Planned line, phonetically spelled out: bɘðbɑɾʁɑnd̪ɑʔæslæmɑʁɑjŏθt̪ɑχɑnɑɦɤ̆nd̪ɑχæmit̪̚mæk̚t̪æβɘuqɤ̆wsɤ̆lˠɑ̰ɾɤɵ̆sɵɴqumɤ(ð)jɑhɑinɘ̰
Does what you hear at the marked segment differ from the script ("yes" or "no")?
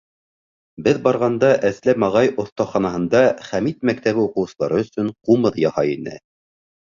no